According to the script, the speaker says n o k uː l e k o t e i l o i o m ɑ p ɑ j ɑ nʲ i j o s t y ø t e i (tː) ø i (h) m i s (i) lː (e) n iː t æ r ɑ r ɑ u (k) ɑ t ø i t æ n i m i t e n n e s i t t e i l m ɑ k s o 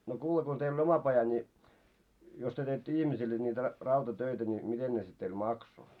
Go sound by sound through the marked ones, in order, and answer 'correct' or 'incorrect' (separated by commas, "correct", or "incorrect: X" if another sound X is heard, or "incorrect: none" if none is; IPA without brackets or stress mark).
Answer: correct, correct, correct, correct, incorrect: t